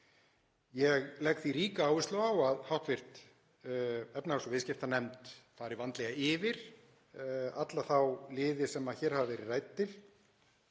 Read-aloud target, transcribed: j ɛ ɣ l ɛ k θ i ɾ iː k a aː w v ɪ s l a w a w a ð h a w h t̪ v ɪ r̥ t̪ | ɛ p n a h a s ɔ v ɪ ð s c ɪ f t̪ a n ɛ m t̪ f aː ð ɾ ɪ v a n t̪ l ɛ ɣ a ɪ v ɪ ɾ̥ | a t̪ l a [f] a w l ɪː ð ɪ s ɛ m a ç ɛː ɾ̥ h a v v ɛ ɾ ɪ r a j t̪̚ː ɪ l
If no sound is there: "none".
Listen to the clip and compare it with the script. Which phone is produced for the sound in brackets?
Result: θ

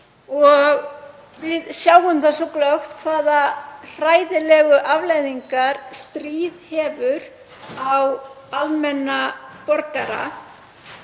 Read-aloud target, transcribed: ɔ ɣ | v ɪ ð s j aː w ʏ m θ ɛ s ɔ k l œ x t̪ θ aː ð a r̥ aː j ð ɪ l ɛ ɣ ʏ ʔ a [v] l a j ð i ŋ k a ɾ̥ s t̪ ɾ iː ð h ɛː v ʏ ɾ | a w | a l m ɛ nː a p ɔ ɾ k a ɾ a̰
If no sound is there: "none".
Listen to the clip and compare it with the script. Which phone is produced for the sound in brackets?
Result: v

